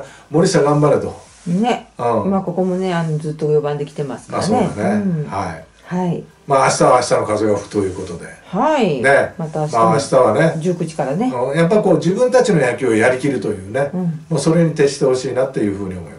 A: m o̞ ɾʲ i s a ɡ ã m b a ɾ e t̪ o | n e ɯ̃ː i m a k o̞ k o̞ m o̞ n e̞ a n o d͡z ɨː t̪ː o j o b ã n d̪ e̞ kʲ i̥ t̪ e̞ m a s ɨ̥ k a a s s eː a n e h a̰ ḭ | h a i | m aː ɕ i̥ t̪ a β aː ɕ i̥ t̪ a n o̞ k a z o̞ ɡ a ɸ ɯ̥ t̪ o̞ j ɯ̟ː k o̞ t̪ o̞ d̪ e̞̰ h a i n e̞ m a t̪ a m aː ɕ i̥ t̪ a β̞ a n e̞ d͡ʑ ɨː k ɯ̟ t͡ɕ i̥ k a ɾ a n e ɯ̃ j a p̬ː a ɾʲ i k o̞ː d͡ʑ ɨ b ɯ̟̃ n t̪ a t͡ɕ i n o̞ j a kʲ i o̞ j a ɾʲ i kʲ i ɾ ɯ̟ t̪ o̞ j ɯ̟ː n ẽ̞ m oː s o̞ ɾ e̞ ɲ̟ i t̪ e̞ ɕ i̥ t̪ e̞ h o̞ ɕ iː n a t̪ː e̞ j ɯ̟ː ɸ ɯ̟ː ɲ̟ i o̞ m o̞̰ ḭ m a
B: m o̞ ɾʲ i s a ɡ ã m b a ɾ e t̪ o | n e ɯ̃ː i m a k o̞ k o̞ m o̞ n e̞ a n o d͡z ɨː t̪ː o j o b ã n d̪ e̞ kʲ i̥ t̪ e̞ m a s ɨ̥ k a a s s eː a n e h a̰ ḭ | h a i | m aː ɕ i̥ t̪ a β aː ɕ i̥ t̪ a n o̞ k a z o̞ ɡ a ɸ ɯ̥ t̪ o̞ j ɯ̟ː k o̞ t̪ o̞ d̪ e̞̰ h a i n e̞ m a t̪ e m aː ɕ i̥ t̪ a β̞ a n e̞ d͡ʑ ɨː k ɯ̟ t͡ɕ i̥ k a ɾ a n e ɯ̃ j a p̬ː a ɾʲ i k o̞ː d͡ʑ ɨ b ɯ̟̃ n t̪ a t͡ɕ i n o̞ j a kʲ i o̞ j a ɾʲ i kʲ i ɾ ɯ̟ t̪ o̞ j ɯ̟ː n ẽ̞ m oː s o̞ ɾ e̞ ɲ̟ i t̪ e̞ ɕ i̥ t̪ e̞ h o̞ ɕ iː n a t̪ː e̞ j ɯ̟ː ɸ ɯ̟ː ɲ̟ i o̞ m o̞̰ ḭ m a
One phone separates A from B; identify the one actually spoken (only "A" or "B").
A